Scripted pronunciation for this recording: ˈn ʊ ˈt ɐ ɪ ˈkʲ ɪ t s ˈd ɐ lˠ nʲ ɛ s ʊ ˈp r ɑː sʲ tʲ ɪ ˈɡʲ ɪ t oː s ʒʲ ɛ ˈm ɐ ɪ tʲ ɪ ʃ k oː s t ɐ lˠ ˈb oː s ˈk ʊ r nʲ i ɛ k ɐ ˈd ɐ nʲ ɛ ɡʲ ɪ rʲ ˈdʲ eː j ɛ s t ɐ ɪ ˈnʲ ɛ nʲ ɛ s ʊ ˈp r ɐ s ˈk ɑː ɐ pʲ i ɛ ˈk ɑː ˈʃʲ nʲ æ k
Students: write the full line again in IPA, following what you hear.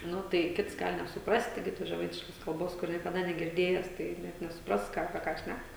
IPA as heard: ˈn ʊ ˈt ɐ ɪ ˈkʲ ɪ t s ˈɡ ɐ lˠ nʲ ɛ s ʊ ˈp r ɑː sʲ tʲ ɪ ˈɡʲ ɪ t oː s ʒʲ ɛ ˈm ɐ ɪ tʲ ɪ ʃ k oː s k ɐ lˠ ˈb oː s ˈk ʊ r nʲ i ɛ k ɐ ˈd ɐ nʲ ɛ ɡʲ ɪ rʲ ˈdʲ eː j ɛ s t ɐ ɪ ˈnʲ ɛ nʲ ɛ s ʊ ˈp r ɐ s ˈk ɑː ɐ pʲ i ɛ ˈk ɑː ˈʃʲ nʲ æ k